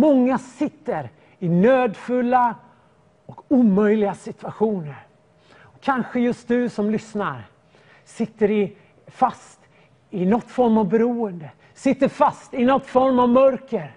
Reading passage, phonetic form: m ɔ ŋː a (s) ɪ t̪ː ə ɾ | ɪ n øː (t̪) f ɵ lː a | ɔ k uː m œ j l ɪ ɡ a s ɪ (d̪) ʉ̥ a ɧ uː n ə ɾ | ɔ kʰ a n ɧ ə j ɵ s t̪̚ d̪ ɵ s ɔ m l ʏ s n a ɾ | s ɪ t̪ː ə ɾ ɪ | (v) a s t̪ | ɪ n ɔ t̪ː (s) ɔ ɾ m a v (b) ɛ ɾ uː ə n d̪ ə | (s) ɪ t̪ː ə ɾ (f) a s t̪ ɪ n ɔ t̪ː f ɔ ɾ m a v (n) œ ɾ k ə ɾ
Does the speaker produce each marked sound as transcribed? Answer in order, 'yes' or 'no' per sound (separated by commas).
yes, no, no, no, no, yes, yes, yes, no